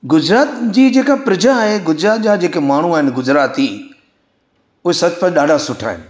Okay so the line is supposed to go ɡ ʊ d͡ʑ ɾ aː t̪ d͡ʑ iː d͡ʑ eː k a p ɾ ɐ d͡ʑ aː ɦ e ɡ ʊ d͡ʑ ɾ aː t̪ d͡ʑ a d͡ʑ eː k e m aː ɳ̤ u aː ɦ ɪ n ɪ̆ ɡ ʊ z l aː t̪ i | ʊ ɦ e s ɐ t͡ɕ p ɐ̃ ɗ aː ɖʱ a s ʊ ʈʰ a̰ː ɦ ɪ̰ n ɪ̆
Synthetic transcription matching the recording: ɡ ʊ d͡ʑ ɾ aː t̪ d͡ʑ iː d͡ʑ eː k a p ɾ ɐ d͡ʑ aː ɦ e ɡ ʊ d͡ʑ ɾ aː t̪ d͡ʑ a d͡ʑ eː k e m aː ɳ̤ u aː ɦ ɪ n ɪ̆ ɡ ʊ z ɾ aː t̪ i | ʊ ɦ e s ɐ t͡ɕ p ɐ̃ ɗ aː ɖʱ a s ʊ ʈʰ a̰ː ɦ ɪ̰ n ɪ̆